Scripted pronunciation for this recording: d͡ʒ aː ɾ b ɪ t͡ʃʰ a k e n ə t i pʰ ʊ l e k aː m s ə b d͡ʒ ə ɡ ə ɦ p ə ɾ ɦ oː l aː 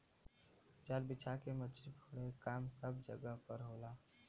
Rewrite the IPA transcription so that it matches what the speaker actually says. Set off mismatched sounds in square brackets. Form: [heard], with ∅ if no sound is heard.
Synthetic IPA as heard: d͡ʒ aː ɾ b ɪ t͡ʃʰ a k e [m] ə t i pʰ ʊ [ɽ] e k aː m s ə b d͡ʒ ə ɡ ə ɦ p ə ɾ ɦ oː l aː